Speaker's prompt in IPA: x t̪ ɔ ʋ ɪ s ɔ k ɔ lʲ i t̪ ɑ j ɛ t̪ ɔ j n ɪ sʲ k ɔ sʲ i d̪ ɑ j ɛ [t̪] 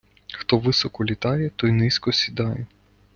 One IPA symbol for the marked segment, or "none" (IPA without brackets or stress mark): none